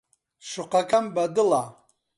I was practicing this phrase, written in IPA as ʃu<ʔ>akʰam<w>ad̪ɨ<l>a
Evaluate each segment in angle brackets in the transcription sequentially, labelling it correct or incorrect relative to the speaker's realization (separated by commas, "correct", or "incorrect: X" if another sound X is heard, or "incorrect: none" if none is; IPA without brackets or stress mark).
incorrect: q, incorrect: b, correct